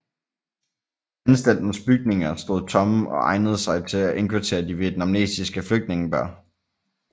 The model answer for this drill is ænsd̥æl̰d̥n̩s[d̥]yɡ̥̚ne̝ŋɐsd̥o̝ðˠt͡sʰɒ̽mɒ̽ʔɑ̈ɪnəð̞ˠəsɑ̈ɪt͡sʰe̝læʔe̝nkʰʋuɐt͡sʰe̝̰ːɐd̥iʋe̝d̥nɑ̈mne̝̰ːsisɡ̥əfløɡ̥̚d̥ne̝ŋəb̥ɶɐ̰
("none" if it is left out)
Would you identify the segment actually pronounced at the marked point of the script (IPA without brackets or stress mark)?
b̥